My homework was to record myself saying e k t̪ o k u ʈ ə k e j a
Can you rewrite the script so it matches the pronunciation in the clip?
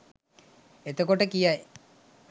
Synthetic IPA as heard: e t̪ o k o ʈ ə k i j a

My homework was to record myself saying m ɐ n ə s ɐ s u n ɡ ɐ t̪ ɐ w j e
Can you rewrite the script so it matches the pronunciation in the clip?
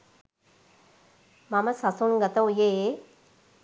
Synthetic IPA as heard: m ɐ m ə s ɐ s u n ɡ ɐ t̪ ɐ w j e

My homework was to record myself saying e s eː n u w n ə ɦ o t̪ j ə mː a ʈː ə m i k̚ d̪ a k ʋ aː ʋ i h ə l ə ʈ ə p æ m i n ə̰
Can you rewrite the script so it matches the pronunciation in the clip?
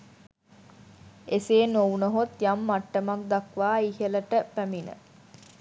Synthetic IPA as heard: e s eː n o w n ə ɦ o t̪ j a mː a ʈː ə m a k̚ d̪ a k ʋ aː i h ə l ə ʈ ə p æ m i n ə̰

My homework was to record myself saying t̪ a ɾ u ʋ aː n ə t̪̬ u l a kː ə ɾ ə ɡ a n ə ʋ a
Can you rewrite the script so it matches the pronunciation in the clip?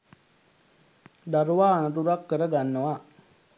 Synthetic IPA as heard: d̪ a ɾ u ʋ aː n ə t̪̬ u ɾ a kː ə ɾ ə ɡ a nː ə ʋ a

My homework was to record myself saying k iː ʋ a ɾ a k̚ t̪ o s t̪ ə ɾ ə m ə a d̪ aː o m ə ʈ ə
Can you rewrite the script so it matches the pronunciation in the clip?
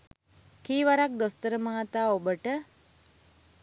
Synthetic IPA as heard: k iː ʋ a ɾ a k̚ d̪ o s t̪ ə ɾ ə m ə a t̪ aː o b ə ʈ ə

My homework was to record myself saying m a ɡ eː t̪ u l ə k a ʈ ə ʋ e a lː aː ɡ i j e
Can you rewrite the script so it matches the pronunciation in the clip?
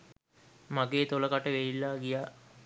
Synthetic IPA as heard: m a ɡ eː t̪ o l ə k a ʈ ə ʋ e i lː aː ɡ i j a

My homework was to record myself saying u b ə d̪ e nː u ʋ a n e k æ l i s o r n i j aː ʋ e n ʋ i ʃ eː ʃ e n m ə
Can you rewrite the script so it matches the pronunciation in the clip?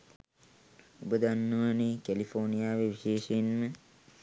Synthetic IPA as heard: u b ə d̪ a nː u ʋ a n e k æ l i f o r n i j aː ʋ e ʋ i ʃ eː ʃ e n m ə

